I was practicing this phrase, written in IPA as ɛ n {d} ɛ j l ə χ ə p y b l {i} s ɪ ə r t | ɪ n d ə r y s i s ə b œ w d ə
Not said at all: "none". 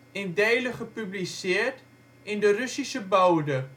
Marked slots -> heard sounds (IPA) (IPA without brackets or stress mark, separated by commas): d, i